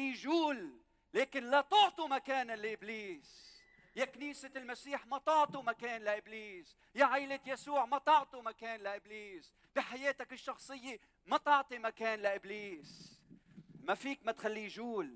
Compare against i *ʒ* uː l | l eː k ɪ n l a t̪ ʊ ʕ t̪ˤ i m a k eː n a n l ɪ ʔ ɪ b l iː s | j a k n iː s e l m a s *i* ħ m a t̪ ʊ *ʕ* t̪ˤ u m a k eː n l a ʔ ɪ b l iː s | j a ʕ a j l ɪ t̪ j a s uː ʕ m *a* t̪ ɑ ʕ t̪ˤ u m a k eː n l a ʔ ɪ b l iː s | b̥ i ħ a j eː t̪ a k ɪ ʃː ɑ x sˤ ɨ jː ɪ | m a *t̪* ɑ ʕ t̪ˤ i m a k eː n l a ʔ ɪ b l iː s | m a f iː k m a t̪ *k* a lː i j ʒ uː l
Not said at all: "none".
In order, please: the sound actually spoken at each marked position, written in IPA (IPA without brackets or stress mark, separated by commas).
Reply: ʒ, iː, ʕ, a, t̪, x